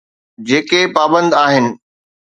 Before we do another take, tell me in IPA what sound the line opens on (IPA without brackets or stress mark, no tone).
d͡ʑ